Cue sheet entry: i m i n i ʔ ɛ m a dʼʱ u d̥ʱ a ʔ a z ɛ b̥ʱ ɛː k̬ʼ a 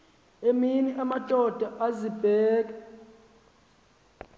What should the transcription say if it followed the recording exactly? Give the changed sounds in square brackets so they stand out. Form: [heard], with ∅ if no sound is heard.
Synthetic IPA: [e] m i n i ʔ [a] m a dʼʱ [ɔ] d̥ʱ a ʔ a z [i] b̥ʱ ɛː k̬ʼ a